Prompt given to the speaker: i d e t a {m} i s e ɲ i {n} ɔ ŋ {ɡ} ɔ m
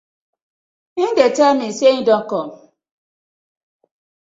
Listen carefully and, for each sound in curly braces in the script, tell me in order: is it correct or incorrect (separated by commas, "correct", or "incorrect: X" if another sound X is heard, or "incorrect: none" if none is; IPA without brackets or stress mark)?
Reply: correct, incorrect: d, incorrect: k